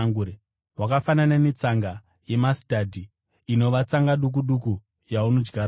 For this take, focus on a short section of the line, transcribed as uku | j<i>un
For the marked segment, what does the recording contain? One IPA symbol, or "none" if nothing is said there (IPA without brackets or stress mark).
a